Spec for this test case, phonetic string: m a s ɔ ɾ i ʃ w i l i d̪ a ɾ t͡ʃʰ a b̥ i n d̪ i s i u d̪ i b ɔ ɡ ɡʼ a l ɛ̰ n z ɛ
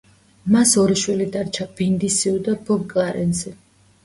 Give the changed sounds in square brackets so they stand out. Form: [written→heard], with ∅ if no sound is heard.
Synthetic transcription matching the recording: m a s ɔ ɾ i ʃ w i l i d̪ a ɾ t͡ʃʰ a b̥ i n d̪ i s i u d̪ [i→a] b ɔ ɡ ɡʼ a [l→ɾ] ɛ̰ n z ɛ